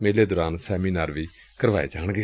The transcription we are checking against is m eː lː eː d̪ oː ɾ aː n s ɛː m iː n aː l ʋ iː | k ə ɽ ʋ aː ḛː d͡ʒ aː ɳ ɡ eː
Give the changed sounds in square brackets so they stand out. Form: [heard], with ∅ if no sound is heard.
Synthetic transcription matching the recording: m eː [l] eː d̪ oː ɾ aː n s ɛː m iː n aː [ɾ] ʋ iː | k ə [ɾ] ʋ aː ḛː d͡ʒ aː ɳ ɡ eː